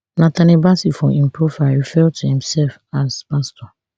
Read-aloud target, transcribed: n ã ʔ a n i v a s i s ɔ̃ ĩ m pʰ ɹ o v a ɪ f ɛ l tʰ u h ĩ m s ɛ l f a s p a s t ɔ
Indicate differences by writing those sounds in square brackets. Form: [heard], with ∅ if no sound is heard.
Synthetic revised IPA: n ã [t] a n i [b] a s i [f] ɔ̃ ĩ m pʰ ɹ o [f] a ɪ f ɛ l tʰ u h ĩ m s ɛ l f a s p a s t ɔ